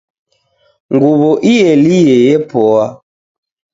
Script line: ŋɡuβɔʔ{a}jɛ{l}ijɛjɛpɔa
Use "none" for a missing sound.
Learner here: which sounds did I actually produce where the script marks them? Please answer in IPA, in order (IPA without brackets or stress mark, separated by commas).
i, l